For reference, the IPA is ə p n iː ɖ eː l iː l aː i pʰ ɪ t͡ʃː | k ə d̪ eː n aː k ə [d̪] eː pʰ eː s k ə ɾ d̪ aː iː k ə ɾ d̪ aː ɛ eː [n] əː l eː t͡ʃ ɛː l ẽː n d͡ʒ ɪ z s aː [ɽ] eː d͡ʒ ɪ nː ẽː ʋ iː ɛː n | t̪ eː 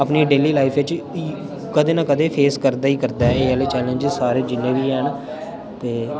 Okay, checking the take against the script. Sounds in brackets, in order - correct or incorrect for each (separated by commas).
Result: correct, incorrect, incorrect